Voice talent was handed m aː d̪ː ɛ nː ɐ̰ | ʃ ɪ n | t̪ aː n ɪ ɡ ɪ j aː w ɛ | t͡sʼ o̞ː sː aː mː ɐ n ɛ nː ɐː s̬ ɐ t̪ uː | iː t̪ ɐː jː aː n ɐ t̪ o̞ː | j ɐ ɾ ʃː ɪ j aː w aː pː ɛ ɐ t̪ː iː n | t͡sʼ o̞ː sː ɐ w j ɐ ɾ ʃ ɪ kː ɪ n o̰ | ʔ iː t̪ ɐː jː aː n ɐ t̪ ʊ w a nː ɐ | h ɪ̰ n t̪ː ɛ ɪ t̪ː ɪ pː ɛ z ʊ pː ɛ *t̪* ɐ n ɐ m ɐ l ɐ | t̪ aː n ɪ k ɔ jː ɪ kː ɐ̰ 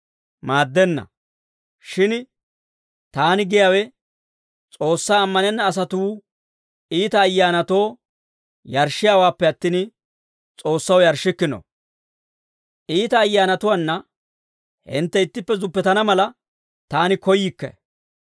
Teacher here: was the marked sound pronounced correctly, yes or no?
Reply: yes